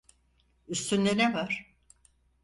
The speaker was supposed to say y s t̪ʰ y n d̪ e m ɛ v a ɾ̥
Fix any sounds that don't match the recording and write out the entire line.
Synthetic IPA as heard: y s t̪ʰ y n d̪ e n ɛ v a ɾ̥